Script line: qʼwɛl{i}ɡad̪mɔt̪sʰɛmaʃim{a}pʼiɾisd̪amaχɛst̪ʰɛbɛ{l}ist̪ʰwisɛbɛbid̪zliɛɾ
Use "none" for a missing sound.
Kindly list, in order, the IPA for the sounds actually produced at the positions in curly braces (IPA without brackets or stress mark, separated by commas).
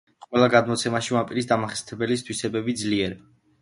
a, a, l